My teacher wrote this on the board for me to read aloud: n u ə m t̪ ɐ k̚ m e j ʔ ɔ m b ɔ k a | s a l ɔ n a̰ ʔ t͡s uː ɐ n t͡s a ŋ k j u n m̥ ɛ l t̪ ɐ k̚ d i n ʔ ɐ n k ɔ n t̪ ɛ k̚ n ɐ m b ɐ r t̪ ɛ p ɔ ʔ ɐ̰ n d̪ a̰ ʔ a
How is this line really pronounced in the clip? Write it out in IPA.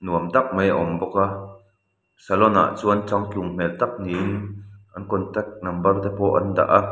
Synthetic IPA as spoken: n u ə m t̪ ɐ k̚ m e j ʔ ɔ m b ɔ k a | s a l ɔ n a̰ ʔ t͡s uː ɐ n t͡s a ŋ k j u ŋ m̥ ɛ l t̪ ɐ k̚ n i n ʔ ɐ n k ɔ n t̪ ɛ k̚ n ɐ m b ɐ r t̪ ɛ p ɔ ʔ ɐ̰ n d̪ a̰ ʔ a

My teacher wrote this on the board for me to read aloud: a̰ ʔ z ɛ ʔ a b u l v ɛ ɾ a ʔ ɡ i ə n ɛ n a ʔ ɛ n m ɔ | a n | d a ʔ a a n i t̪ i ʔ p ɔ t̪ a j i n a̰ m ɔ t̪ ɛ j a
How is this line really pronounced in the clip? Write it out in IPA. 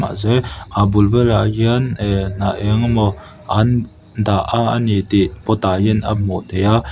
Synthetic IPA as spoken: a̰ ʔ z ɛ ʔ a b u l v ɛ l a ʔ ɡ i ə n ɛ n a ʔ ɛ ŋ m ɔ | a n | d a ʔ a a n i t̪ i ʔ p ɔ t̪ a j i n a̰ m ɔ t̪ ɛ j a

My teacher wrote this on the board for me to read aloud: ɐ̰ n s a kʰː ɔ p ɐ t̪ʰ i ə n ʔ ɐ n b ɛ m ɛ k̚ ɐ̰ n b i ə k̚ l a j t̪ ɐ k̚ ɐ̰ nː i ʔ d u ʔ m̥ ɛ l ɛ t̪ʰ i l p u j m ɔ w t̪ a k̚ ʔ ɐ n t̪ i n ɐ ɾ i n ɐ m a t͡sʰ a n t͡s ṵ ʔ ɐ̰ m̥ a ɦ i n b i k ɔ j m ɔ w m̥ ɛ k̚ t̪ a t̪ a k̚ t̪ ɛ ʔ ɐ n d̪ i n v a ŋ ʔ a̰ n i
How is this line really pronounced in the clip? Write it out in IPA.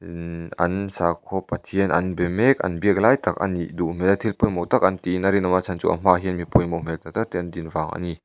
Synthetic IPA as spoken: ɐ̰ n s a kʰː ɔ p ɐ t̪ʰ i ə n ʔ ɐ n b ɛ m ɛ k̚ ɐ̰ n b i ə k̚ l a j t̪ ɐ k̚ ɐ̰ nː i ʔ d u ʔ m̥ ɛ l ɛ t̪ʰ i l p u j m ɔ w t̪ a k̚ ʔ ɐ n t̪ i n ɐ ɾ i n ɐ m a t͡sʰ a n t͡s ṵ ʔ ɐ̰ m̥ a ɦ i n m i p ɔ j m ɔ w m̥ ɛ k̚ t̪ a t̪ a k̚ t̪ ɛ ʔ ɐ n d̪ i n v a ŋ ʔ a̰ n i

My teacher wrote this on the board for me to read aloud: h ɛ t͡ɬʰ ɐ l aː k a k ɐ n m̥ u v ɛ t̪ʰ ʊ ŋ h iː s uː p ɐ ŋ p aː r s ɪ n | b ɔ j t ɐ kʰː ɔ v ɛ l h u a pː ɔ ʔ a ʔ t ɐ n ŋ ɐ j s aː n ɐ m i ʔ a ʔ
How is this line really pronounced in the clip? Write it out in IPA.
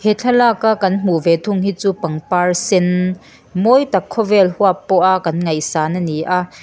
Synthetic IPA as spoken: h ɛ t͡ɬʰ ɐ l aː k a k ɐ n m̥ u v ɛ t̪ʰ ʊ ŋ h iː t͡s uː p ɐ ŋ p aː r s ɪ n | m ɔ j t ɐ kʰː ɔ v ɛ l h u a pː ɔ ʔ a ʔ k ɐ n ŋ ɐ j s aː n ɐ n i ʔ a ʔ

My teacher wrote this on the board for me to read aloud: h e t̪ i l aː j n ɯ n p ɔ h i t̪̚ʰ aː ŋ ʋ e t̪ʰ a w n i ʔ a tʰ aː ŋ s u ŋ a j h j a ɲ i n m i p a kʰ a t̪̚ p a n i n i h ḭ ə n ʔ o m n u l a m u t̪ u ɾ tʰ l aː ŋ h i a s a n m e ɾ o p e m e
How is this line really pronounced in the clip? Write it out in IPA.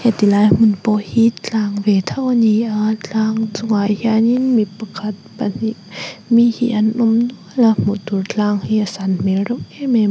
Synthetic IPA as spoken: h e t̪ i l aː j m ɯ n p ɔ h i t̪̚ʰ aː ŋ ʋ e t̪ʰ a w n i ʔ a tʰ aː ŋ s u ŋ a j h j a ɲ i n m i p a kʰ a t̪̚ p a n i m i h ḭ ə n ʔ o m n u l a m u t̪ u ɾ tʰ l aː ŋ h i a s a n m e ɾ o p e m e

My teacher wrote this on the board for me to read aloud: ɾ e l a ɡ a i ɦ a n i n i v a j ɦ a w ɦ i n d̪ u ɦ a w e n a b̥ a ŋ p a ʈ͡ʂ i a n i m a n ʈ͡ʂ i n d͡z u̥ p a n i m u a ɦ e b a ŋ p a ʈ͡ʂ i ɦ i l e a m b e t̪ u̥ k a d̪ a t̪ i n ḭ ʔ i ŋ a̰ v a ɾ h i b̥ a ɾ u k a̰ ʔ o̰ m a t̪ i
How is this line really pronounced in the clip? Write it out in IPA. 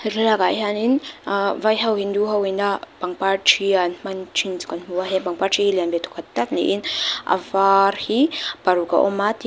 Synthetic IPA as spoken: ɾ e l a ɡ a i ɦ a n i n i v a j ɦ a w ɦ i n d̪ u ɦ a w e n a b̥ a ŋ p a ʈ͡ʂ i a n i m a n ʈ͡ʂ i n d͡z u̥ k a n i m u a ɦ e b a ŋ p a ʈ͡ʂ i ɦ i l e a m b e t̪ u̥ k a t̪ a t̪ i n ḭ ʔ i n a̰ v a ɾ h i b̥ a ɾ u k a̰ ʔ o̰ m a t̪ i

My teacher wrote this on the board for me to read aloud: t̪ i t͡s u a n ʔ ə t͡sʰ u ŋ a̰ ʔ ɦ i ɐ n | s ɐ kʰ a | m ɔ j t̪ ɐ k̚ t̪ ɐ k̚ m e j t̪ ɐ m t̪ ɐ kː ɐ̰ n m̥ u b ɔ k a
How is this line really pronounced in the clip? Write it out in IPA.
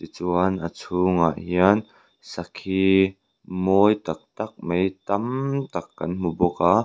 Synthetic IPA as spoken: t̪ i t͡s u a n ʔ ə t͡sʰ u ŋ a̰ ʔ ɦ i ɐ n | s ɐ kʰ i | m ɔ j t̪ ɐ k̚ t̪ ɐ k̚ m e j t̪ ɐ m t̪ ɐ kː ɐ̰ n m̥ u b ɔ k a

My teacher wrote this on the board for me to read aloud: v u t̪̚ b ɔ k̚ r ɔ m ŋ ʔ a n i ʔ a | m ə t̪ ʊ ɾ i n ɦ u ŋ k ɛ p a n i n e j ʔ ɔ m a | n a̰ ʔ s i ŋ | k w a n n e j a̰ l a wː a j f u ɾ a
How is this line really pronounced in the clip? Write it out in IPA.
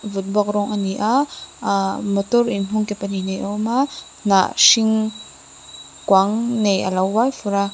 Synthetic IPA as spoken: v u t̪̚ b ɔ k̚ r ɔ ŋ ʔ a n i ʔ a | m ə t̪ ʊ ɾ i n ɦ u ŋ k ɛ p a n i n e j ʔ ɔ m a | n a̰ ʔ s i ŋ | k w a ŋ n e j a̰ l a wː a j f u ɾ a

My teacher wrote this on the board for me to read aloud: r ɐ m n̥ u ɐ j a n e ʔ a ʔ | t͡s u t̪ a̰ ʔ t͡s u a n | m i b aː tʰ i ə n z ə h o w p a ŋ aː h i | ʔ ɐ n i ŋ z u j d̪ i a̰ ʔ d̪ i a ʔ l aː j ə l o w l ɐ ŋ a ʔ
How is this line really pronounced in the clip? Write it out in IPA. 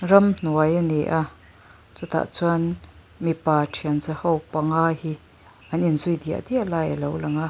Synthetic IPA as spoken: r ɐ m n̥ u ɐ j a n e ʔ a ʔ | t͡s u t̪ a̰ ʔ t͡s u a n | m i p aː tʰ i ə n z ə h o w p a ŋ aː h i | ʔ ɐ n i n z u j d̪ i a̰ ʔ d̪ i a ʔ l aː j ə l o w l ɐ ŋ a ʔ

